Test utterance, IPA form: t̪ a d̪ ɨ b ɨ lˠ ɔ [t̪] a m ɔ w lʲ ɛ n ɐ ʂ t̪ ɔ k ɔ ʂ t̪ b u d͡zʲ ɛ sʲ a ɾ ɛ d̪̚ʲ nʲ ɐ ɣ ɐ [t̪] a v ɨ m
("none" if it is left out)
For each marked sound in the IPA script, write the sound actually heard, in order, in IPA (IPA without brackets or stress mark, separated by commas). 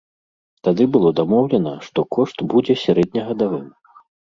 d̪, d̪